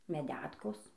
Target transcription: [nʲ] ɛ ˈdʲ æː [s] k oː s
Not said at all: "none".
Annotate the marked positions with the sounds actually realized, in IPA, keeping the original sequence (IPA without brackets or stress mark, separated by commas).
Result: mʲ, t